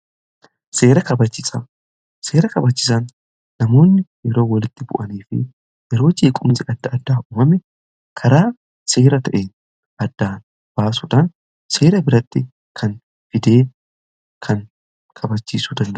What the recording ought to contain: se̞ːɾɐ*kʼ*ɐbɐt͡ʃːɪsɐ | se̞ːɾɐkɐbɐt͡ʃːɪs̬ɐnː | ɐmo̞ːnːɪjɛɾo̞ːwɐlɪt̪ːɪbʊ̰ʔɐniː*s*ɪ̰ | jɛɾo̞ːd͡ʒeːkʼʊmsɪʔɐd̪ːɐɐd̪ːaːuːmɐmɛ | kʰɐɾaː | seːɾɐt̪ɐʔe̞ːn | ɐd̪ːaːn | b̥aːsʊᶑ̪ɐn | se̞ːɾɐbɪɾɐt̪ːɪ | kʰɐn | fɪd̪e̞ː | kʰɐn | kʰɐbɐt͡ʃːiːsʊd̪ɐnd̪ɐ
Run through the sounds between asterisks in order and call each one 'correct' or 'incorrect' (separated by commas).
incorrect, incorrect